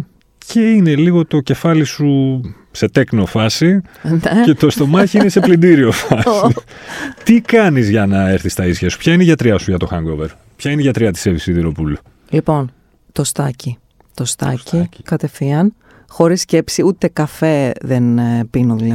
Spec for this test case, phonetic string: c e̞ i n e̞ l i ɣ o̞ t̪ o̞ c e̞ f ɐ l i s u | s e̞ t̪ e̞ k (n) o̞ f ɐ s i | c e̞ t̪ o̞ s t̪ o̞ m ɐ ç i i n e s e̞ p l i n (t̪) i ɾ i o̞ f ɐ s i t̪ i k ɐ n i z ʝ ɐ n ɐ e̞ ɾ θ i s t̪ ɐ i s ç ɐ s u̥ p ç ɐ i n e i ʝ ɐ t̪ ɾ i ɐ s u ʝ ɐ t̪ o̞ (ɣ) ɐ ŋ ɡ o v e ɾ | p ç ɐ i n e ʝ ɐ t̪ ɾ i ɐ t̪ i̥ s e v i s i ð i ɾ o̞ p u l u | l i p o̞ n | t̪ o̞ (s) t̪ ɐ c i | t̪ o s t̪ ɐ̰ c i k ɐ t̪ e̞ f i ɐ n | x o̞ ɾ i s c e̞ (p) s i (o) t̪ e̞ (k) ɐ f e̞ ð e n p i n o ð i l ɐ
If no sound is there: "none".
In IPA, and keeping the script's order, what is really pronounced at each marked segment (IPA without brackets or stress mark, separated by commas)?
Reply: n, d̪, x, s, p, u, k